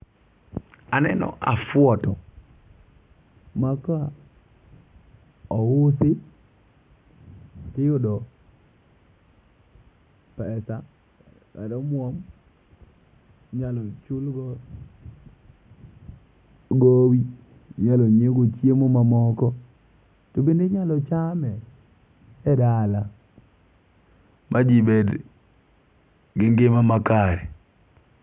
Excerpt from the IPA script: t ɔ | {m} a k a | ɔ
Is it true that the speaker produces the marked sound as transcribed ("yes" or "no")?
yes